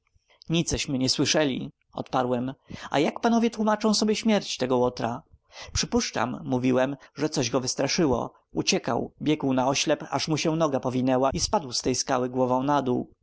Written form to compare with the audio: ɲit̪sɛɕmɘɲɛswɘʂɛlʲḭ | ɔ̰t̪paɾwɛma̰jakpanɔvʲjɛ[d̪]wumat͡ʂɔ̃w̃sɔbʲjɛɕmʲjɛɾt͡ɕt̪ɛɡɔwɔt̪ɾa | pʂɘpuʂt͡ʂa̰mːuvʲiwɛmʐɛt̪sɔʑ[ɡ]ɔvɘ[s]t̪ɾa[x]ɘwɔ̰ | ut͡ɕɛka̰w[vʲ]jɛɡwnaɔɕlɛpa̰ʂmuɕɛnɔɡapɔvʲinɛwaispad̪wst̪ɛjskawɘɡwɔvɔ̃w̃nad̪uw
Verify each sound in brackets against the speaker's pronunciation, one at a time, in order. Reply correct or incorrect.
incorrect, correct, correct, incorrect, incorrect

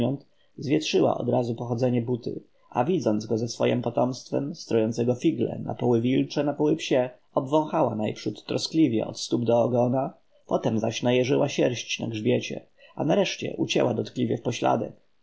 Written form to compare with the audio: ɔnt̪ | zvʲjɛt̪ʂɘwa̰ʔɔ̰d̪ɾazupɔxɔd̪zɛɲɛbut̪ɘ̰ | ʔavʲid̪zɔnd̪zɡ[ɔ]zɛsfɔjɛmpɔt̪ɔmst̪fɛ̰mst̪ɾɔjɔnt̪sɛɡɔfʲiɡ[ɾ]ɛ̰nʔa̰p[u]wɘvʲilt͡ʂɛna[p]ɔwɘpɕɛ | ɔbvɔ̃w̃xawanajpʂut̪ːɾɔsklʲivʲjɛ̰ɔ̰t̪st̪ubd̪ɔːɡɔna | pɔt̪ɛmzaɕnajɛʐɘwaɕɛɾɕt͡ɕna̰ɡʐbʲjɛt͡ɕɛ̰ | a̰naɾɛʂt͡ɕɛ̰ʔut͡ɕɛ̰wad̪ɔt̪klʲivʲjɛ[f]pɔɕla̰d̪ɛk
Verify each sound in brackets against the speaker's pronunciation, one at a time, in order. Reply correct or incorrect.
correct, incorrect, incorrect, correct, correct

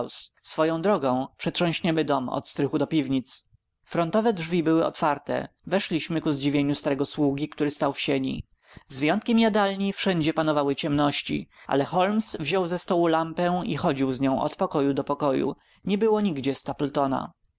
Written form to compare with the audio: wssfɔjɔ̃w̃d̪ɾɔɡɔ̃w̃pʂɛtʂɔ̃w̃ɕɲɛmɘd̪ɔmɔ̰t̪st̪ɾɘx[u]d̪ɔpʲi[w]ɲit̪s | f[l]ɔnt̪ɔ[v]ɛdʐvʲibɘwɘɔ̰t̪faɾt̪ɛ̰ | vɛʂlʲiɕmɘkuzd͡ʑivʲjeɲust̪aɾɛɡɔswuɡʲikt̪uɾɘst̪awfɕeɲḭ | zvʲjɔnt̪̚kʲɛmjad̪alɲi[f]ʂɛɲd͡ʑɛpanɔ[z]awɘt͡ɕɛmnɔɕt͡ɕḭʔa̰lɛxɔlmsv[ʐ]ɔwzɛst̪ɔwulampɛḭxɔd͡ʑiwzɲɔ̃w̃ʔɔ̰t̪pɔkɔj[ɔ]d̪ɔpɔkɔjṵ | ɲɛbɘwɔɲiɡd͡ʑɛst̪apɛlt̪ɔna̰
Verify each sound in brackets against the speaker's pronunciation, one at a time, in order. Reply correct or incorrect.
correct, incorrect, incorrect, correct, correct, incorrect, incorrect, incorrect

